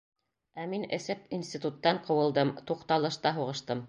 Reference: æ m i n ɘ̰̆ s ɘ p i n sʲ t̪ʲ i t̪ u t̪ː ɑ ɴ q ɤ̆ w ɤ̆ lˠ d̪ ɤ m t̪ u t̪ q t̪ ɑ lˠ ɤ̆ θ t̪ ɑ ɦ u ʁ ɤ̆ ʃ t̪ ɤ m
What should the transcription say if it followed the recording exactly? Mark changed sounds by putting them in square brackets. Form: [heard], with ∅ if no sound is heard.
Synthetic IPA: æ m i n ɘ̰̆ s ɘ p i n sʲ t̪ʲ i t̪ u t̪ː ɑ ɴ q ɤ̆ w ɤ̆ lˠ d̪ ɤ m t̪ u [∅] q t̪ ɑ lˠ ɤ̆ [ʃ] t̪ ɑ ɦ u ʁ ɤ̆ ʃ t̪ ɤ m